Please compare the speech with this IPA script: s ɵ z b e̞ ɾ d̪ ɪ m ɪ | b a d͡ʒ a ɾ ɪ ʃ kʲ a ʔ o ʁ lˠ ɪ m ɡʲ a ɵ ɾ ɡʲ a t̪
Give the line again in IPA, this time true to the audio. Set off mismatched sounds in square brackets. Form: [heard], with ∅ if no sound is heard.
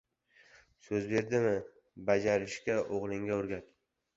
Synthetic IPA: s ɵ z b e̞ ɾ d̪ ɪ m ɪ | b a d͡ʒ a ɾ ɪ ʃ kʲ a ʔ o ʁ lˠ ɪ [ŋ] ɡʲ a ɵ ɾ ɡʲ a t̪